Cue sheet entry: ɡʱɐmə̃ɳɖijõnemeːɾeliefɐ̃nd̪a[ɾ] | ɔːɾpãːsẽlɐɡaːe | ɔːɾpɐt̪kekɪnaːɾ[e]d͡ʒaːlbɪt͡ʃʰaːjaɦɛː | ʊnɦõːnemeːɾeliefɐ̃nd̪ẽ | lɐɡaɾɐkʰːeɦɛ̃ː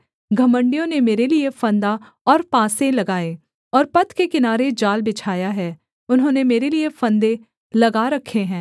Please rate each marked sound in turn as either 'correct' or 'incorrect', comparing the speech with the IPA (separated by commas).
incorrect, correct